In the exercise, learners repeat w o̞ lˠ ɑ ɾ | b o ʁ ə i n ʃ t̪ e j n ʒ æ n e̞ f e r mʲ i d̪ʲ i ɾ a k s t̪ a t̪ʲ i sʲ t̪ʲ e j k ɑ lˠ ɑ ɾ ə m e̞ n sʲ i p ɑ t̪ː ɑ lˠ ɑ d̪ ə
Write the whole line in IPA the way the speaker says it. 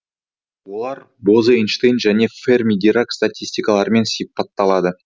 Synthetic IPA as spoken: w o̞ lˠ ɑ ɾ | b o z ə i n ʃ t̪ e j n ʒ æ n e̞ f e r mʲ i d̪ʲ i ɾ a k s t̪ a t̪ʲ i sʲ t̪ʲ i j k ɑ lˠ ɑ ɾ ə m e̞ n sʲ i p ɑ t̪ː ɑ lˠ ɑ d̪ ə